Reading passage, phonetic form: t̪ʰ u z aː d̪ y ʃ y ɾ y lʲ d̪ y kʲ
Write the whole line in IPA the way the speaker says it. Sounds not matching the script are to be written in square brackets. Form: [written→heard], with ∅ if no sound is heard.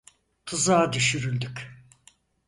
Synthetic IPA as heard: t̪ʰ [u→ɯ] z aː d̪ y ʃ y ɾ y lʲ d̪ y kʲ